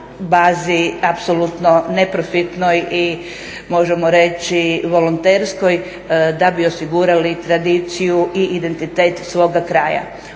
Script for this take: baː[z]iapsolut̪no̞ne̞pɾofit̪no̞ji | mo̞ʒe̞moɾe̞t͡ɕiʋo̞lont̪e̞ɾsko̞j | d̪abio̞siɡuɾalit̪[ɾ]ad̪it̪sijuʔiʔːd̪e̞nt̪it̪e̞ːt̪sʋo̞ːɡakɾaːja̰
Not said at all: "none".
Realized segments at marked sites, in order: z, ɾ

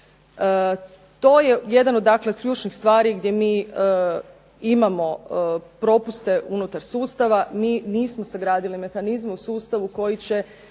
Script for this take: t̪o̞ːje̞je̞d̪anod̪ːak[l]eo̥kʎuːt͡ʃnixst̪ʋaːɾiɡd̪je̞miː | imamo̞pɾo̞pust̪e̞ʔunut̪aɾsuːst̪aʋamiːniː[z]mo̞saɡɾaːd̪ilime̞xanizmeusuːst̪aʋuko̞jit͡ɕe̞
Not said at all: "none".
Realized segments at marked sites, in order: l, s

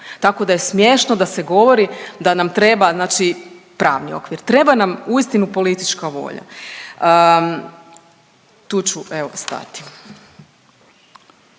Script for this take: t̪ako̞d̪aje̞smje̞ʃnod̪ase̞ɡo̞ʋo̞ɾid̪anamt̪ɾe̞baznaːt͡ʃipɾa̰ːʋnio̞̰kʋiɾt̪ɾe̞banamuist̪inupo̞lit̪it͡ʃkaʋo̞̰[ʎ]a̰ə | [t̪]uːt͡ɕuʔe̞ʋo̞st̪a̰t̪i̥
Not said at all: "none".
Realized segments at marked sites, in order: ʎ, t̪

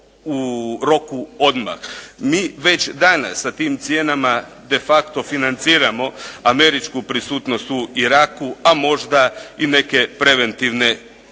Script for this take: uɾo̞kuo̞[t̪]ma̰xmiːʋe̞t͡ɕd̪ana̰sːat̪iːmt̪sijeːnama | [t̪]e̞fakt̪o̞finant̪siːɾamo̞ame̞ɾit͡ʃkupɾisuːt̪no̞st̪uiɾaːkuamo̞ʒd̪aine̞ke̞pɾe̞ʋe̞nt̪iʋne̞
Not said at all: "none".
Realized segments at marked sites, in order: d̪, d̪

